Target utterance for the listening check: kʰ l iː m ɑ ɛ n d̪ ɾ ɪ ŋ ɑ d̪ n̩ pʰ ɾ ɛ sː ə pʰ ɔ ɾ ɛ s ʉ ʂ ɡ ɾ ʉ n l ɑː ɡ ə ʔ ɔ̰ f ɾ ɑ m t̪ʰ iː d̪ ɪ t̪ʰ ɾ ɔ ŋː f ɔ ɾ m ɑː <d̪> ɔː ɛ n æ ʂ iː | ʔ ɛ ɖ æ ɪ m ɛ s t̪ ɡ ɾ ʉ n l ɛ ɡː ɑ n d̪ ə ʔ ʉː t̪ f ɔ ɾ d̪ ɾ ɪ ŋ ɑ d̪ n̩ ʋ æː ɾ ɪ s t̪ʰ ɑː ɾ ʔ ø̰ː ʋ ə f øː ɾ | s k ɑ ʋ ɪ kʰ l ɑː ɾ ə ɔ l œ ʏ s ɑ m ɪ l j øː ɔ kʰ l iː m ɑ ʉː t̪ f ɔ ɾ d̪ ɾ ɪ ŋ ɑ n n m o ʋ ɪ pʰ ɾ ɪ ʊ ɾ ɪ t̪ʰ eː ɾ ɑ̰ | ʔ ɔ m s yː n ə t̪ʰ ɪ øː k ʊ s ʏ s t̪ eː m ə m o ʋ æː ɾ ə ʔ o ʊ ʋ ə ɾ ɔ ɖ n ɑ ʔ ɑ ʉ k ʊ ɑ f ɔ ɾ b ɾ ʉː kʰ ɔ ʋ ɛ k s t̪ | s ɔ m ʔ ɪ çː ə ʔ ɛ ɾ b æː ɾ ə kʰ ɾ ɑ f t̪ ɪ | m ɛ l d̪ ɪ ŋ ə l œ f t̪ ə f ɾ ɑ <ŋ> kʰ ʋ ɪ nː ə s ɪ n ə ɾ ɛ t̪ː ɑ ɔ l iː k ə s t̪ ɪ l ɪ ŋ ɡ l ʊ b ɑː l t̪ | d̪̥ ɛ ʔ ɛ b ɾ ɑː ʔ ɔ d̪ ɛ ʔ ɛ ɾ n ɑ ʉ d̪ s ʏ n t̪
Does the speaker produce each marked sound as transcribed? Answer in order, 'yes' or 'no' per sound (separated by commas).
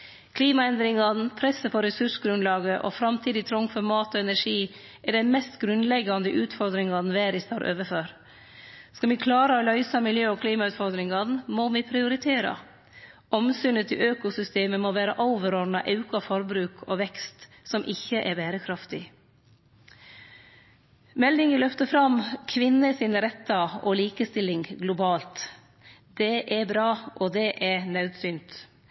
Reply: no, no